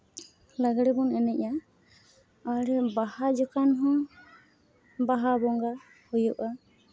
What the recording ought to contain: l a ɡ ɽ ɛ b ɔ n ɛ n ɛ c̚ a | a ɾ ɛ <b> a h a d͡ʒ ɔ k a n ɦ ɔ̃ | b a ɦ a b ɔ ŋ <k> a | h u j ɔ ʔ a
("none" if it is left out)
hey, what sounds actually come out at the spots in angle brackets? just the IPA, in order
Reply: b, ɡ

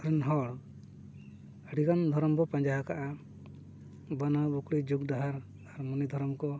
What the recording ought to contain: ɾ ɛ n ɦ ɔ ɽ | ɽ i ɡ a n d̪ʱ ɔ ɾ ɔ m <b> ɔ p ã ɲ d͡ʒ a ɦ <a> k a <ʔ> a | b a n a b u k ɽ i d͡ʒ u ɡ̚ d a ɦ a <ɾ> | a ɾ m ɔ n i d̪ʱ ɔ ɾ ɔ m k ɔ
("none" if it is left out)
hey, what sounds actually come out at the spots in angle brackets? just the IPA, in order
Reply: b, a, ʔ, ɾ

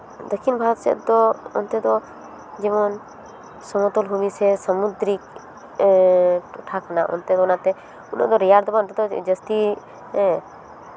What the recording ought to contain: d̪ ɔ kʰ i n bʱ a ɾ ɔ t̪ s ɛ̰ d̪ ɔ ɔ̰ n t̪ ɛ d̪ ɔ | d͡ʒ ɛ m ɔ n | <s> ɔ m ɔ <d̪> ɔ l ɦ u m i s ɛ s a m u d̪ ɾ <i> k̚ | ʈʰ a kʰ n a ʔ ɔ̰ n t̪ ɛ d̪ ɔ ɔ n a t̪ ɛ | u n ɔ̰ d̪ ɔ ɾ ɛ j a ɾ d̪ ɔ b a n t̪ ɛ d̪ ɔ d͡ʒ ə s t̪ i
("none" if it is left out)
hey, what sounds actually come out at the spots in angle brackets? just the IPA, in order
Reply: s, t̪, i

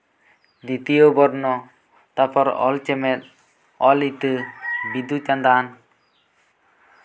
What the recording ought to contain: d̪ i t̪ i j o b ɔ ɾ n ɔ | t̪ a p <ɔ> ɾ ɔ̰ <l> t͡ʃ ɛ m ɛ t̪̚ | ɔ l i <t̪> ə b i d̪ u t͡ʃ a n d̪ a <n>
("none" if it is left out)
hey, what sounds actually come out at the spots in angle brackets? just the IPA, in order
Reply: ɔ, l, t̪, n

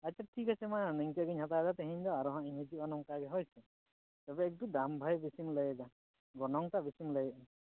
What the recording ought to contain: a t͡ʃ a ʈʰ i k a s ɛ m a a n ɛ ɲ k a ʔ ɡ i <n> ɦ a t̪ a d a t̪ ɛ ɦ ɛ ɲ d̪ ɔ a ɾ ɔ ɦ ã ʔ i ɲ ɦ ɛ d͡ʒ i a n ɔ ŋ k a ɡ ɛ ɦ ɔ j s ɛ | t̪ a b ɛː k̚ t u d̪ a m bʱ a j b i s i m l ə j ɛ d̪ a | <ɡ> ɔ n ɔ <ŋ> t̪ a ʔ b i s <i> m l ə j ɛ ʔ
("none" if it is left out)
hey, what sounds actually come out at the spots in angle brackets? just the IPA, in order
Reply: ɲ, ɡ, ŋ, i

